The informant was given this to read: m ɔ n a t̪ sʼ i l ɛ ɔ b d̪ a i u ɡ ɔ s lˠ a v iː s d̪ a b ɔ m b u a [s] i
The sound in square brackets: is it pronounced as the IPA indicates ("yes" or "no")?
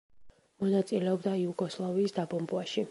no